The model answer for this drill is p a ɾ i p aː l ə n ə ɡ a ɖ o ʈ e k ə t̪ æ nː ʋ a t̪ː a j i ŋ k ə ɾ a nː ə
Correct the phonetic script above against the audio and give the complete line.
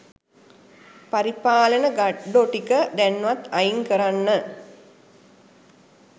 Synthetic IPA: p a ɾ i p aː l ə n ə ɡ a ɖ o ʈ i k ə d̪ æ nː ʋ a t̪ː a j i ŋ k ə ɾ a nː ə